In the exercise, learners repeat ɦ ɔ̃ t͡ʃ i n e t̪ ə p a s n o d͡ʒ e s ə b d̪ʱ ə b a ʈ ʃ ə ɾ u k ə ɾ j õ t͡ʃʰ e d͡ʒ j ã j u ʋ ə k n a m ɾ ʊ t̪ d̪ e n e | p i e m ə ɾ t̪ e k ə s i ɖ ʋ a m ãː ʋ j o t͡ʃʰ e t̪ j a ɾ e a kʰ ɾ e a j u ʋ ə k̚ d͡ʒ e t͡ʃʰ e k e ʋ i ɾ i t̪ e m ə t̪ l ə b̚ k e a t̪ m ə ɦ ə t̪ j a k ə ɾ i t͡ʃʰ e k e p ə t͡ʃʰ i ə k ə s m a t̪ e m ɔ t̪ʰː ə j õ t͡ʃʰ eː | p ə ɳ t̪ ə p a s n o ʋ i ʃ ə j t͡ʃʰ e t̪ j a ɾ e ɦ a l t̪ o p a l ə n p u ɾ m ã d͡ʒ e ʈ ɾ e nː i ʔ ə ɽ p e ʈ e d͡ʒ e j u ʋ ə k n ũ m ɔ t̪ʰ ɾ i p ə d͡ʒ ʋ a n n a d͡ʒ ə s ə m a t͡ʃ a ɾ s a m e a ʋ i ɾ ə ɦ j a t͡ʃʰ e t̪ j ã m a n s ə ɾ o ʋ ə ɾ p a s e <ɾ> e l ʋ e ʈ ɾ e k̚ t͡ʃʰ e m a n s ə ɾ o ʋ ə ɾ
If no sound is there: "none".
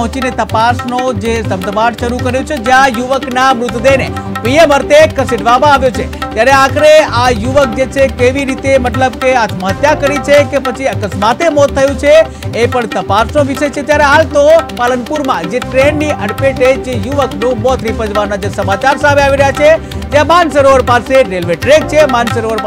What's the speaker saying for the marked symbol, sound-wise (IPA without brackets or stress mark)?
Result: ɾ